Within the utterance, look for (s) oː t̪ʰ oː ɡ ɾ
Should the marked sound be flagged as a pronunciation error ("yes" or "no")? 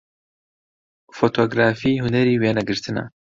yes